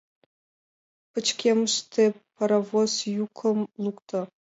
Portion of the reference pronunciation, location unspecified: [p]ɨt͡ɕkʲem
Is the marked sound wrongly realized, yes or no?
no